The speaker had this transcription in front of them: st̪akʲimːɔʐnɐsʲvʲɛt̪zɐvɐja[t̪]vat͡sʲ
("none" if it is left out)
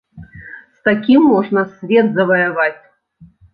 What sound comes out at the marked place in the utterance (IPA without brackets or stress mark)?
none